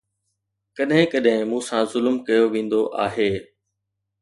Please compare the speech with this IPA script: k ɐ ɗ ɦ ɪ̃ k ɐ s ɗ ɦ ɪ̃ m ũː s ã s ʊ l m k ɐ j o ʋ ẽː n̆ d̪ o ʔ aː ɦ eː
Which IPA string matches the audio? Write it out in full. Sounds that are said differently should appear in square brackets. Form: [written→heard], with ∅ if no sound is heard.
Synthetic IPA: k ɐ ɗ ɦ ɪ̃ k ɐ [s→∅] ɗ ɦ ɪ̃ m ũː s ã [s→z] ʊ l m k ɐ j o ʋ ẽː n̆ d̪ o ʔ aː ɦ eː